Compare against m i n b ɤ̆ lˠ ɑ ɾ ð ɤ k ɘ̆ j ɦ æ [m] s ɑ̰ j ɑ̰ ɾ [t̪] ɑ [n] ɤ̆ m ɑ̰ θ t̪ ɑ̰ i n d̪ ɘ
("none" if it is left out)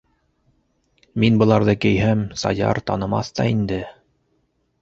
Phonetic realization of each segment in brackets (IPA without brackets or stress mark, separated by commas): m, t̪, n